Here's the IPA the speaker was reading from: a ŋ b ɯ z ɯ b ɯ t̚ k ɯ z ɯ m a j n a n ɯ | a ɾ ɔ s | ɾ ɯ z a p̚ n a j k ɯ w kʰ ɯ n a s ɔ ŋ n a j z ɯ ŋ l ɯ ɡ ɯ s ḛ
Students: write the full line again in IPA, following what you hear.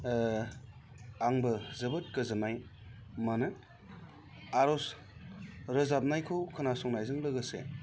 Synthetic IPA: a ŋ b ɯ z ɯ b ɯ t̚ k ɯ z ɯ m a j m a n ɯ | a ɾ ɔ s | ɾ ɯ z a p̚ n a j kʰ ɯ w kʰ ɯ n a s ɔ ŋ n a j z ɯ ŋ l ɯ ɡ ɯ s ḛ